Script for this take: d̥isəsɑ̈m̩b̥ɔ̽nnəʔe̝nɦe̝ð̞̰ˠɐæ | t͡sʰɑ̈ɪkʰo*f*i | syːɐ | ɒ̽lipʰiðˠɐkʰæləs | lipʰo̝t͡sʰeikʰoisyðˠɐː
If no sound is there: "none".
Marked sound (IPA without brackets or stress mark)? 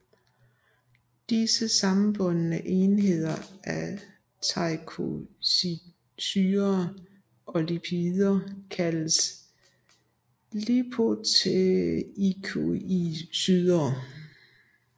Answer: s